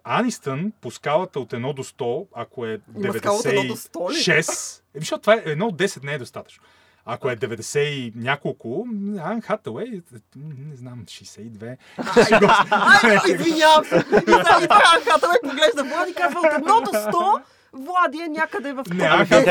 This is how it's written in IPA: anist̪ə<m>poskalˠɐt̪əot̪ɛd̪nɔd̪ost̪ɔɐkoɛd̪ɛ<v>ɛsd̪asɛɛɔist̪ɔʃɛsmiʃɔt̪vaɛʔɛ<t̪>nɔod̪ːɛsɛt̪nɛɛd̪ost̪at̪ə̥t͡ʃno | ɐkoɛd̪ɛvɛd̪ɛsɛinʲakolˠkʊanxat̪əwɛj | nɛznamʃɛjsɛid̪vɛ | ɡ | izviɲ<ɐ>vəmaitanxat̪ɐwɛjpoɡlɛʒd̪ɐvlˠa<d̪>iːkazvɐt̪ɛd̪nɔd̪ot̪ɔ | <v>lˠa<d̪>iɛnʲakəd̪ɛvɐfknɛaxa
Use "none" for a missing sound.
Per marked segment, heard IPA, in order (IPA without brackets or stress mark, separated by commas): n, v, d̪, a, d̪, v, d̪